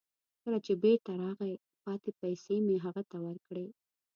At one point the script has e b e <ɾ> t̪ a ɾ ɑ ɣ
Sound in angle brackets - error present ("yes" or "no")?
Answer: no